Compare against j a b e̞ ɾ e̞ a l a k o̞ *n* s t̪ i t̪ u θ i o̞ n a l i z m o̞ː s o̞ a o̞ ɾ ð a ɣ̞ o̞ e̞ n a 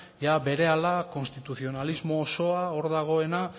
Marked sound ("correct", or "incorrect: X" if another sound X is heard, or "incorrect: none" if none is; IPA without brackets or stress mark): correct